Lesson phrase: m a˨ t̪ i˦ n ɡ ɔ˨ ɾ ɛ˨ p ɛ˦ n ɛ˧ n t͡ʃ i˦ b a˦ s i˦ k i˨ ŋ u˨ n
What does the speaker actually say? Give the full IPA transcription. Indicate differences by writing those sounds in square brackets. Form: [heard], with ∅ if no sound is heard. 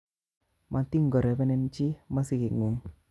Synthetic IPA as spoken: m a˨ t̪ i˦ [ŋ] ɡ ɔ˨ ɾ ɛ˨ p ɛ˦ n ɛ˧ n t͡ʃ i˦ [m] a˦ s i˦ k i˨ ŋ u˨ [ŋ]